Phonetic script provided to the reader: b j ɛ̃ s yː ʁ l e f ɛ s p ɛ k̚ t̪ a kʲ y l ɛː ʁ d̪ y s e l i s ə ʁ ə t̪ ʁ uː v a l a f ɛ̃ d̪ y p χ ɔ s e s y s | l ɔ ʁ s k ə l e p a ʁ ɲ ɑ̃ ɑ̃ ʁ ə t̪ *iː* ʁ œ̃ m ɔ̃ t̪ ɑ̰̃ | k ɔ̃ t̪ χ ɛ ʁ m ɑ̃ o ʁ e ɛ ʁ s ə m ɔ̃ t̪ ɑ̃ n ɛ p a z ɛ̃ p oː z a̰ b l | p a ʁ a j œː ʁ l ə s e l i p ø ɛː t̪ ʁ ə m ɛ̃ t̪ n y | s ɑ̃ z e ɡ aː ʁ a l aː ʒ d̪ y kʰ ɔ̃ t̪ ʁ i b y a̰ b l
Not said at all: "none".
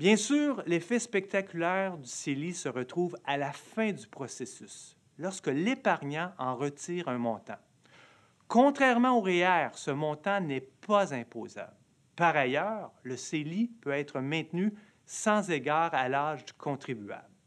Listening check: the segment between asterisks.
iː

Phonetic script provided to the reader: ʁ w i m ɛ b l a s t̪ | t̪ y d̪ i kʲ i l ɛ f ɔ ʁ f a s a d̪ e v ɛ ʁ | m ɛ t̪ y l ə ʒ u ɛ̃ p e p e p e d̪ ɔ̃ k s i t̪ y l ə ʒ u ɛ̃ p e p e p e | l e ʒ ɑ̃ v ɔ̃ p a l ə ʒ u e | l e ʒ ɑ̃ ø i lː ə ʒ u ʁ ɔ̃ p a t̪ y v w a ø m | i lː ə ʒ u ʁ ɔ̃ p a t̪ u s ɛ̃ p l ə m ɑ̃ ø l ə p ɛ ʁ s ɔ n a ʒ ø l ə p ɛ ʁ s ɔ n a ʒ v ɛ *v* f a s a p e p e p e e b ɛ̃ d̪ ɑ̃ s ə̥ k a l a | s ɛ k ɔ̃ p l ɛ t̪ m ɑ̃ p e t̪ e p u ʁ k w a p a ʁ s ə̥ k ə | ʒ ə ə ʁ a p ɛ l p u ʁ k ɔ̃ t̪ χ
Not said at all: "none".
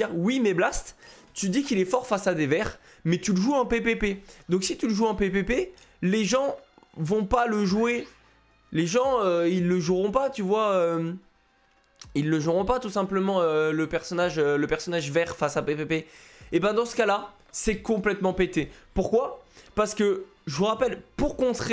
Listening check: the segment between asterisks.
ʁ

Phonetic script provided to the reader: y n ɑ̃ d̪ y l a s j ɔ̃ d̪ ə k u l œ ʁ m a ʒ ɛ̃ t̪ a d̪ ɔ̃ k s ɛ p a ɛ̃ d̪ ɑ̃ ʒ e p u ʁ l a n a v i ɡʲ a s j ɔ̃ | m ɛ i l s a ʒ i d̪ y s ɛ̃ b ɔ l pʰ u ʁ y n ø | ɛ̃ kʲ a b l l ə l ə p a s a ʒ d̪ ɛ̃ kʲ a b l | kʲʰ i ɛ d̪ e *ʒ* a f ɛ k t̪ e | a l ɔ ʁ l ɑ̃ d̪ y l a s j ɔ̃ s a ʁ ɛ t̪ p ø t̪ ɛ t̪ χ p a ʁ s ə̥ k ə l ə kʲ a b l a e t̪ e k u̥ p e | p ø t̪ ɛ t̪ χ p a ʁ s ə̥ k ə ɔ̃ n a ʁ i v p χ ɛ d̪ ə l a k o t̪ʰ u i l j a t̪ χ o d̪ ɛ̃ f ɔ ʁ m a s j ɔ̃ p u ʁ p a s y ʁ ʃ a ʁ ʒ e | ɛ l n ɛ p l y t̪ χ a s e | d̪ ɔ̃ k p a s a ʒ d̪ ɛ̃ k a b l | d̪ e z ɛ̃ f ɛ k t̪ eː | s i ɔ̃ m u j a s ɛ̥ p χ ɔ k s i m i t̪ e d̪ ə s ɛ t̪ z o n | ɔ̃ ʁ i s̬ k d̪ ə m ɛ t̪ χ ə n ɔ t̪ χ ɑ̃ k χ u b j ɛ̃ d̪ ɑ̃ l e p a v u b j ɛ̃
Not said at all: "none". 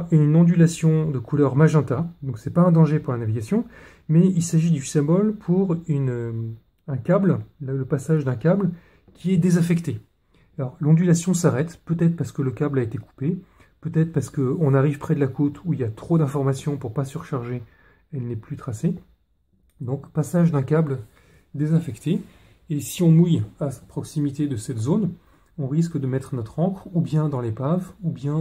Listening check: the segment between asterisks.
z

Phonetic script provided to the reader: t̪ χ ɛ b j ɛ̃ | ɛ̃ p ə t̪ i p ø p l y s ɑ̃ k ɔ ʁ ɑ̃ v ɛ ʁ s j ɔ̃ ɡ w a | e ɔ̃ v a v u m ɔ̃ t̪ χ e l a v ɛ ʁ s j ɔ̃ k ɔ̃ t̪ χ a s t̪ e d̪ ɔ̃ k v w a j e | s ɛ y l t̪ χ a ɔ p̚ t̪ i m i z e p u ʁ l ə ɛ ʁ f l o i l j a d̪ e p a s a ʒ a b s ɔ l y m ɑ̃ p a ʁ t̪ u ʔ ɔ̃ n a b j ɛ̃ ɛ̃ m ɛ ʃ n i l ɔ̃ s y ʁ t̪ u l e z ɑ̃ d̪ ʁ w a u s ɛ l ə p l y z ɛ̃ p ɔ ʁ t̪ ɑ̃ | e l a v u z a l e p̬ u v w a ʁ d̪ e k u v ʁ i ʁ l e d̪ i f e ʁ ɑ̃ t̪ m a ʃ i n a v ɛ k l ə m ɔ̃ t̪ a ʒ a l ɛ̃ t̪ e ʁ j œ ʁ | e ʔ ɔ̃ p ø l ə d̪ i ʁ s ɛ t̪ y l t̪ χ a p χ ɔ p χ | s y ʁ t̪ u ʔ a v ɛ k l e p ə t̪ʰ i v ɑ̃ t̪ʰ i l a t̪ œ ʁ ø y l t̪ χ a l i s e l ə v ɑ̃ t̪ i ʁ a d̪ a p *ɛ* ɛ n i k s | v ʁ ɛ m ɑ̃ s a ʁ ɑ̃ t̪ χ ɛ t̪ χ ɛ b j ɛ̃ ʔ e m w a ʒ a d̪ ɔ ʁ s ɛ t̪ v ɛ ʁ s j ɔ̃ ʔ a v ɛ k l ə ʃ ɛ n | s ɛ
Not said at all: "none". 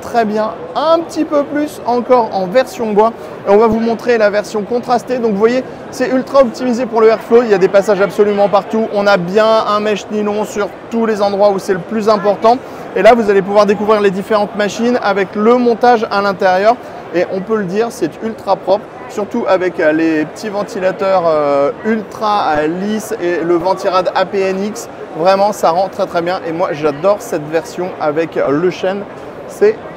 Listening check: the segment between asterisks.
e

